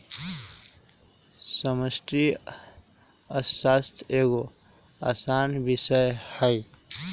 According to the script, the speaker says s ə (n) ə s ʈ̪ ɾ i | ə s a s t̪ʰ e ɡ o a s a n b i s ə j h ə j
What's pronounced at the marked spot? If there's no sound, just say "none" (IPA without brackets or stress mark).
m